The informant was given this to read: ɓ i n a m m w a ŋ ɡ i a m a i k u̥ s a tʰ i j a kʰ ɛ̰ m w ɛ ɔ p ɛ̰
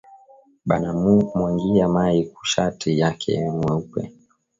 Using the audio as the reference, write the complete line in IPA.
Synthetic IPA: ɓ a n a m m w a ŋ ɡ i a m a i k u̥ ʃ a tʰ i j a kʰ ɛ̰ m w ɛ u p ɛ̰